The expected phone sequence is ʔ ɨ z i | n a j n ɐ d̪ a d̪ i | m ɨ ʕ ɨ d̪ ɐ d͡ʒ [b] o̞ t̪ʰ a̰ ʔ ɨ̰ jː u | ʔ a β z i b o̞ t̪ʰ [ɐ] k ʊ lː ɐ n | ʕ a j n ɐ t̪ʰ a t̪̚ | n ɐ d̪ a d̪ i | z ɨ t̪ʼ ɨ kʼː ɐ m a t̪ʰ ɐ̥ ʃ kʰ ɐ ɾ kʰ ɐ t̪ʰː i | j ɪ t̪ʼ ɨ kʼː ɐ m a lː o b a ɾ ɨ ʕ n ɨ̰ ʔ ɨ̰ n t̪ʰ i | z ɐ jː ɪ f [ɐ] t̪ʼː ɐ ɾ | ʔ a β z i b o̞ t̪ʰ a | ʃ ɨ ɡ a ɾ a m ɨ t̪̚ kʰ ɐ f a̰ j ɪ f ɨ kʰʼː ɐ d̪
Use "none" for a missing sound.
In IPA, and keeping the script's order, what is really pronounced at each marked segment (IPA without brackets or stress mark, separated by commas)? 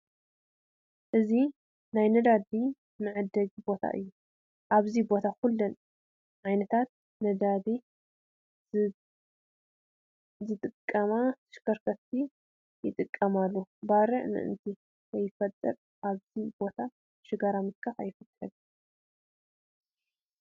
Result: b, a, ɐ